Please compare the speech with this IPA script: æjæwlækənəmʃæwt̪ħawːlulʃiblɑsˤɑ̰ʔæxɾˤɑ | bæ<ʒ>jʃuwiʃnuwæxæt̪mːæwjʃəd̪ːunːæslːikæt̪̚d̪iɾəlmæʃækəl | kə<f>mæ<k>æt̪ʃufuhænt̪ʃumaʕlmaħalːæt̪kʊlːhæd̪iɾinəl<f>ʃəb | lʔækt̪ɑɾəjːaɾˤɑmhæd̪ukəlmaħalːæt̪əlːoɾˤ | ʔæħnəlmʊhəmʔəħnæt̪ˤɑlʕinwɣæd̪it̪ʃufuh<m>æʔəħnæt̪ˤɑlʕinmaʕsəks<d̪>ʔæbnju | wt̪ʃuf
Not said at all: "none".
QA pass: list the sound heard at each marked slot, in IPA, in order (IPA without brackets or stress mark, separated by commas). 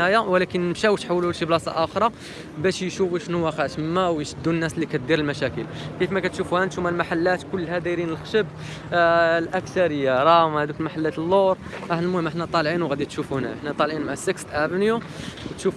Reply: ʃ, f, k, x, n, t̪